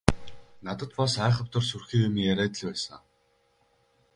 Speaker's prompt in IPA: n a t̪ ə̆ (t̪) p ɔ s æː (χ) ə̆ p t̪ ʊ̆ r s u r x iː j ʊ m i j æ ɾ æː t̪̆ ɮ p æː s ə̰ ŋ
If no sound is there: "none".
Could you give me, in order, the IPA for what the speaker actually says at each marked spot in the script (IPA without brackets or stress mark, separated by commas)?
t̪, χ